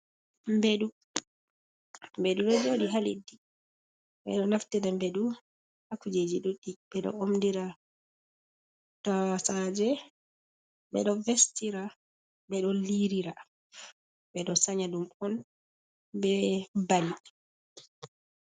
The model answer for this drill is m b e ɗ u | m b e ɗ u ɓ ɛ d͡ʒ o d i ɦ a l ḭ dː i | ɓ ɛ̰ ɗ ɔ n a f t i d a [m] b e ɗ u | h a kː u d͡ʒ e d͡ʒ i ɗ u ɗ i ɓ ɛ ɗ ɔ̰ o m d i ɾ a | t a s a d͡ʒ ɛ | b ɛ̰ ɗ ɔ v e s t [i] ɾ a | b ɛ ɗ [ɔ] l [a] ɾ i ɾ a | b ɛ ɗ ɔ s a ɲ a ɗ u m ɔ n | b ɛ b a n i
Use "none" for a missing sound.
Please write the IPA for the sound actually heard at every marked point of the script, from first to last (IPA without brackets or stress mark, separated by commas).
m, i, ɔ, i